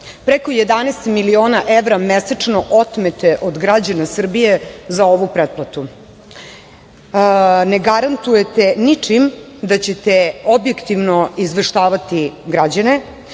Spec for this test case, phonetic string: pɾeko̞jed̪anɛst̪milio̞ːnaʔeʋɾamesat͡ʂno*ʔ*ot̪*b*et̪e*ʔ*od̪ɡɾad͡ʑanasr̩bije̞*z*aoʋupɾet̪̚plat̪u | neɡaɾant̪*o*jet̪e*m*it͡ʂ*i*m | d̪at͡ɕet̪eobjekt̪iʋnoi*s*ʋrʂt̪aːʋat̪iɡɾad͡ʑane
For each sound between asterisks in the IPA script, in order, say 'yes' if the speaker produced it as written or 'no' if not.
yes, no, yes, yes, no, no, yes, no

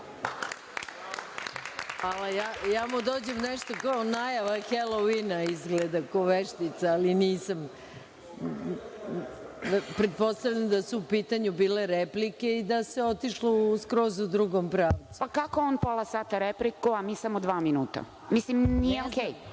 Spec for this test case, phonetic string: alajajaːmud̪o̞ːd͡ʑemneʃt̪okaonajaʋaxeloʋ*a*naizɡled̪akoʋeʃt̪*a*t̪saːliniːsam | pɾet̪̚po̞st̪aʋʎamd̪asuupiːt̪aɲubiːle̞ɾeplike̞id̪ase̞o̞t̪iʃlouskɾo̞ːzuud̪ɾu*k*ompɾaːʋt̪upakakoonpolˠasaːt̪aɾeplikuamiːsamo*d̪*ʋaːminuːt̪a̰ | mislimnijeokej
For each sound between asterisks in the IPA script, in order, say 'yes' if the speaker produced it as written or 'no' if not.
no, no, no, yes

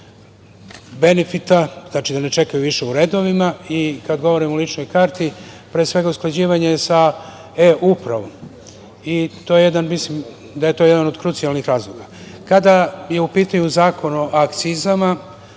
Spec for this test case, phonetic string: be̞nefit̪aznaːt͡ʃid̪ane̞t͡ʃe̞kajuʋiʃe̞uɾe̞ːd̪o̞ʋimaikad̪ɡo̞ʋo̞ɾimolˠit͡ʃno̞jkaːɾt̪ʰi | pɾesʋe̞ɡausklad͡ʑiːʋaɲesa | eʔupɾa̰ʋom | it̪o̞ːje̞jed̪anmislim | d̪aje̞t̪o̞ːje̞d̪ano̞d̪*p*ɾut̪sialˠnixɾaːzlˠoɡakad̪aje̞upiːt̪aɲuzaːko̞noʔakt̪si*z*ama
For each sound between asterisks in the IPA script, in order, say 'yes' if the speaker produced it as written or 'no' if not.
no, yes

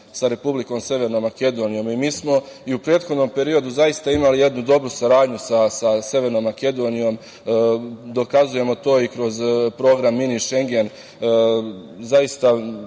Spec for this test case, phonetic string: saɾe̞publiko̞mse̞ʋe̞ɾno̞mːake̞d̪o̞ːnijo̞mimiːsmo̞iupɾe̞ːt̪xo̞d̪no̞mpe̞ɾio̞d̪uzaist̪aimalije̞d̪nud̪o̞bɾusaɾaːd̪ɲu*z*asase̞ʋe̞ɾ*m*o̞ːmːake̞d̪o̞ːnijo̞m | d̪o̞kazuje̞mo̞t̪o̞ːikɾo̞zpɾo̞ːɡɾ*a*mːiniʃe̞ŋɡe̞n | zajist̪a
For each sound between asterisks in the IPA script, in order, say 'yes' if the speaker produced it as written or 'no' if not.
no, no, yes

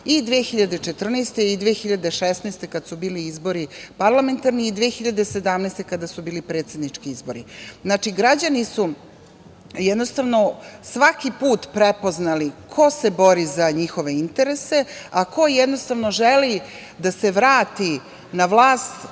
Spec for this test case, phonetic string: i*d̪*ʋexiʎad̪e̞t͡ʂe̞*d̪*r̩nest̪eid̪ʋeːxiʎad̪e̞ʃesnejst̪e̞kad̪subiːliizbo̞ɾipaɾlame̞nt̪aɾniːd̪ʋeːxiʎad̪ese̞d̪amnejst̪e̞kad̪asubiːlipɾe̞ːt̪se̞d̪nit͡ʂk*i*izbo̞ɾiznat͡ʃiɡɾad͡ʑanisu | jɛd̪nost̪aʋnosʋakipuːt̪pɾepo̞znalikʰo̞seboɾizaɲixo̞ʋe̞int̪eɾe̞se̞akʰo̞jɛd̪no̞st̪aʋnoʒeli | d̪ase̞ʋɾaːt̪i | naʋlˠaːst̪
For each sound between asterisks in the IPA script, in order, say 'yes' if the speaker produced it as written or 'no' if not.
yes, no, yes

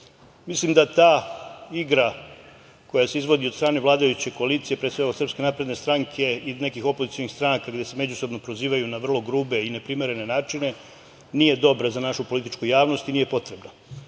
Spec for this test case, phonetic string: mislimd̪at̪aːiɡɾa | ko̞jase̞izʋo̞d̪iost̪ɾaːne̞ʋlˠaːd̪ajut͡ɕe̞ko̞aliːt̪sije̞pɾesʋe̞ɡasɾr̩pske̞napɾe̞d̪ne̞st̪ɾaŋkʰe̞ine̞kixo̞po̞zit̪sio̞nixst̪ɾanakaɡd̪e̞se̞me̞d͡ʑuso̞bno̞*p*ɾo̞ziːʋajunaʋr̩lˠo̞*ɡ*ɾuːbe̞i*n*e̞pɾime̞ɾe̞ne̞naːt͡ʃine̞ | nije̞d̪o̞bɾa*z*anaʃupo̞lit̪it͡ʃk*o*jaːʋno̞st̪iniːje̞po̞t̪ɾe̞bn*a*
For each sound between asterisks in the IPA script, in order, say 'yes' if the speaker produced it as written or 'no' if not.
yes, yes, yes, yes, no, yes

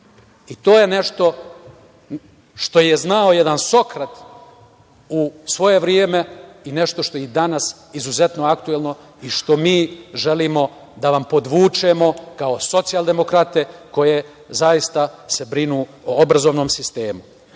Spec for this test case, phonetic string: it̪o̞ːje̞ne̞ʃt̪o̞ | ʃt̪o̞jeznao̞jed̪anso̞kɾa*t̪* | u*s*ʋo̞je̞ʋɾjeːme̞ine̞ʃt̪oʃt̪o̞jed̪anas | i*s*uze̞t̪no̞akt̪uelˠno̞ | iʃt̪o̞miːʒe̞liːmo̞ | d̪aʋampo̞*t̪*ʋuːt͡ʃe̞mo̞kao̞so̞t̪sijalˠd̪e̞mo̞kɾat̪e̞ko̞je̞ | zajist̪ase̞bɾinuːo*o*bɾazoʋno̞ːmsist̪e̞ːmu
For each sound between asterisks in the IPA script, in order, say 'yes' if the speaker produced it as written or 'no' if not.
yes, yes, no, no, yes

